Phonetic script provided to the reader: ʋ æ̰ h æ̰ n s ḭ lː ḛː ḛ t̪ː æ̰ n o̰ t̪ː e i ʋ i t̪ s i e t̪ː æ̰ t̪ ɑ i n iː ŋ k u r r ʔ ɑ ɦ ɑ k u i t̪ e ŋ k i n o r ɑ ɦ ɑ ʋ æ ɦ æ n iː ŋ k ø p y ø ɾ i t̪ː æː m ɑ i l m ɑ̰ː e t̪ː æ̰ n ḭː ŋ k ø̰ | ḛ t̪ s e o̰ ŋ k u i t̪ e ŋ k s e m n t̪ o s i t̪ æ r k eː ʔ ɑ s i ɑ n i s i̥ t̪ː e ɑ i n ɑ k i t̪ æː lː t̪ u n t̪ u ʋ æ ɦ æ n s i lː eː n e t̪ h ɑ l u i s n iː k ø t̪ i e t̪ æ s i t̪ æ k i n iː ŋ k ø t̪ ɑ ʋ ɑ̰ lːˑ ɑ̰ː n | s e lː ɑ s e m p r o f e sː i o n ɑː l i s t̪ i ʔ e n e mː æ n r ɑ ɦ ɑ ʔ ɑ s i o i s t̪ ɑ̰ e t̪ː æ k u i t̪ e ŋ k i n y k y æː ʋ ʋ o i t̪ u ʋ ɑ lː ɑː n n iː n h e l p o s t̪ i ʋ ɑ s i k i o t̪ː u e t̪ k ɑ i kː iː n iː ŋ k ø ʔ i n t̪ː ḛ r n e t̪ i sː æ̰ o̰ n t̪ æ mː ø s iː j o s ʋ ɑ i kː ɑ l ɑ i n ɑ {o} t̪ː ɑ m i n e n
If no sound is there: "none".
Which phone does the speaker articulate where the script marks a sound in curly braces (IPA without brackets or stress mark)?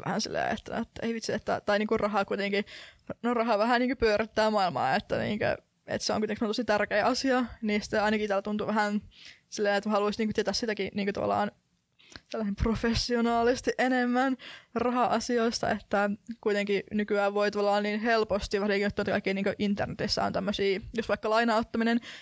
o